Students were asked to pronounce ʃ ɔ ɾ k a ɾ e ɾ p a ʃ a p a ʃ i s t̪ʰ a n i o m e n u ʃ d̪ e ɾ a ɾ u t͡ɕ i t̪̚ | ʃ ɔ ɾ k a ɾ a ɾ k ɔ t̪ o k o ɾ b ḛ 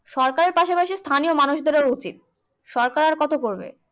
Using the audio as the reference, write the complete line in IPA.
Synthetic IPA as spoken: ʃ ɔ ɾ k a ɾ e ɾ p a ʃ a p a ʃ i s t̪ʰ a n i o m a n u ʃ d̪ e ɾ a ɾ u t͡ɕ i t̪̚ | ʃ ɔ ɾ k a ɾ a ɾ k ɔ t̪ o k o ɾ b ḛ